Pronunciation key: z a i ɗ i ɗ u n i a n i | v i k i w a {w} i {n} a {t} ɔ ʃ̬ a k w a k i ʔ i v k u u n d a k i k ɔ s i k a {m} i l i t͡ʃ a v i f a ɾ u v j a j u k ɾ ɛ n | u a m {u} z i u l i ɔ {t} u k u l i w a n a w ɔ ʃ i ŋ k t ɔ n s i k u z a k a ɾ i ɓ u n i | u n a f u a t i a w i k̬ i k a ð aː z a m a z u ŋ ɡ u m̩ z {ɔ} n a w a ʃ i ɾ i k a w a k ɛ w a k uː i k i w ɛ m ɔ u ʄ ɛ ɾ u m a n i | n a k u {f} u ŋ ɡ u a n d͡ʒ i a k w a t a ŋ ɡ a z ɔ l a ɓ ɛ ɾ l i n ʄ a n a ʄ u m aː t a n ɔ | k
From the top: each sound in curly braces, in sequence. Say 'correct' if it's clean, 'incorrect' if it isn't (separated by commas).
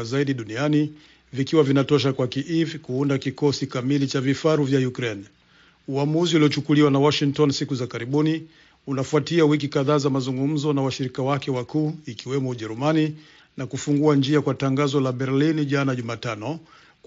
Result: incorrect, correct, correct, correct, correct, incorrect, correct, correct